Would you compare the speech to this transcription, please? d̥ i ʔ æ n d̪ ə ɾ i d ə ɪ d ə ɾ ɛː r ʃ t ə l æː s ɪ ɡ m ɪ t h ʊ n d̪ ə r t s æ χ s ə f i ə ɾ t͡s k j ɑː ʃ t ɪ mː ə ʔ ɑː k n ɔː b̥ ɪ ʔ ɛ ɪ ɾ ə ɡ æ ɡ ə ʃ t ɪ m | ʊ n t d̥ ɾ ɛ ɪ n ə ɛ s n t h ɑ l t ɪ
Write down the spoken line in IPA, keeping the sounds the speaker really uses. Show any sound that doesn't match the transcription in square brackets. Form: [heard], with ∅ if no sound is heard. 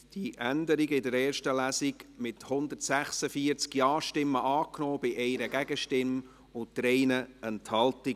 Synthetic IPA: d̥ i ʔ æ n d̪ ə ɾ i [ɡ] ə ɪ d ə ɾ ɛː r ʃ t ə l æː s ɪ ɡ m ɪ t h ʊ n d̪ ə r t s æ χ s ə f i ə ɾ t͡s k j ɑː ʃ t ɪ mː ə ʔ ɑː k n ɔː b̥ ɪ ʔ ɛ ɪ ɾ ə ɡ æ ɡ ə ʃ t ɪ m | ʊ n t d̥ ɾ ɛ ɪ n ə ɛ [∅] n t h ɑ l t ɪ